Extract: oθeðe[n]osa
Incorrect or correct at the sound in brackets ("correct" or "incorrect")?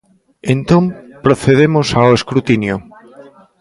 incorrect